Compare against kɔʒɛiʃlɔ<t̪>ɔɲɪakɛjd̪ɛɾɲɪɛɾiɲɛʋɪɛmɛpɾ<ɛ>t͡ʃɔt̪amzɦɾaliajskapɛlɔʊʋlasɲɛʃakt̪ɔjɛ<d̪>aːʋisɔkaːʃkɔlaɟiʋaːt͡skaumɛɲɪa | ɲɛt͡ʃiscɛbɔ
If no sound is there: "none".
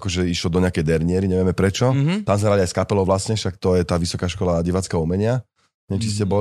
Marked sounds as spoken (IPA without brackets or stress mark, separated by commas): d̪, ɛ, t̪